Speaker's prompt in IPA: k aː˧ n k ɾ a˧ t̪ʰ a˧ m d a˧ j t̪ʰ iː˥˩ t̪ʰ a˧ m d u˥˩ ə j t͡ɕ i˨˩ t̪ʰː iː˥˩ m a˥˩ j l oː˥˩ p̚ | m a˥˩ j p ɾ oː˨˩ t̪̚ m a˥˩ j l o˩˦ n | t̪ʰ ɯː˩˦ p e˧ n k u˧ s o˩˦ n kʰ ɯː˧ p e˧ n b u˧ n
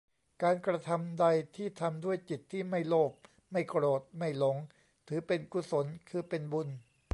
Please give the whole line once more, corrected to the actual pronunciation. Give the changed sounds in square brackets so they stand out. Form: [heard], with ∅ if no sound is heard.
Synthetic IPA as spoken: k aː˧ n k ɾ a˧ t̪ʰ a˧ m d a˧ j t̪ʰ iː˥˩ t̪ʰ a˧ m d u˥˩ ə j t͡ɕ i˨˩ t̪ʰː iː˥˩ m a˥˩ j l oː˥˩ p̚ | m a˥˩ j [k] ɾ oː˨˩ t̪̚ m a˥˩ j l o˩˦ [ŋ] | t̪ʰ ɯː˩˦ p e˧ n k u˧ s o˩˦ n kʰ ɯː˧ p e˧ n b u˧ n